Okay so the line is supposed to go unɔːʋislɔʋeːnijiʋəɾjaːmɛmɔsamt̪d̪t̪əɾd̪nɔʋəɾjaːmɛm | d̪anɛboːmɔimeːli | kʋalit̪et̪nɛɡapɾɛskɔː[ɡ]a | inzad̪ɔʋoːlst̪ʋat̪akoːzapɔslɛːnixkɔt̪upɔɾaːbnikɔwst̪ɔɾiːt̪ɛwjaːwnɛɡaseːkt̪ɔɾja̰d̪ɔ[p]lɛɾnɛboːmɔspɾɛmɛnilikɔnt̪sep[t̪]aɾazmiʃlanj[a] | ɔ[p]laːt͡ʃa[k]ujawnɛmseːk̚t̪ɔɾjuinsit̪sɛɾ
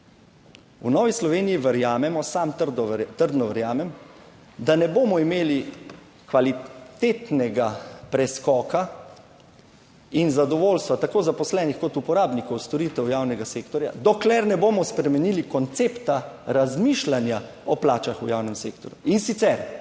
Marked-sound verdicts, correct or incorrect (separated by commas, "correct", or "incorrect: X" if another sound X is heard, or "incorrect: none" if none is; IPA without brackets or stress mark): incorrect: k, incorrect: k, correct, correct, correct, incorrect: x